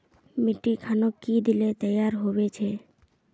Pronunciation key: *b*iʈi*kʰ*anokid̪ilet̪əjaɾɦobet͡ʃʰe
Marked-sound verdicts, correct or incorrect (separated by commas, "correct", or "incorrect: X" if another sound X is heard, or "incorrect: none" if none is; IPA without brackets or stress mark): incorrect: m, correct